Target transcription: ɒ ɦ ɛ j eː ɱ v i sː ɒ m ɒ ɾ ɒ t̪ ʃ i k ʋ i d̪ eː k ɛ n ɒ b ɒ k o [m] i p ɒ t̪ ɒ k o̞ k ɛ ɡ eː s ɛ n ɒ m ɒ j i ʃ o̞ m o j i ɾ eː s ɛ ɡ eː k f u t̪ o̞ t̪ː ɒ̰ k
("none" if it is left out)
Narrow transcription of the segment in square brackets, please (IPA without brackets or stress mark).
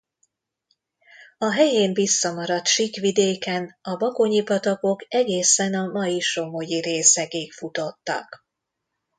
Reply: ɲ